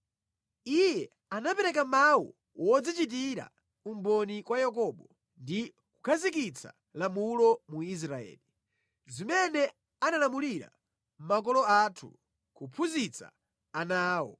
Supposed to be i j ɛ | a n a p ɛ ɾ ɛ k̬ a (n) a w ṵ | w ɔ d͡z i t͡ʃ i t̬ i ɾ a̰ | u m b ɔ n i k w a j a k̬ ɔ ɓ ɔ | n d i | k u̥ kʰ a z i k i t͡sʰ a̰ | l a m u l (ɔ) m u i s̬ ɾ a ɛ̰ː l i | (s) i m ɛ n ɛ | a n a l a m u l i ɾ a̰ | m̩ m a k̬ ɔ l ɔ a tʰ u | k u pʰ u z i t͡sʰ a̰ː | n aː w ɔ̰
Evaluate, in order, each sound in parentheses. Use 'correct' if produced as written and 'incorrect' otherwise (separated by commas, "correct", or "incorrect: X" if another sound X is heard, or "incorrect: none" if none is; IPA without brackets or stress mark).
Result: incorrect: m, correct, incorrect: z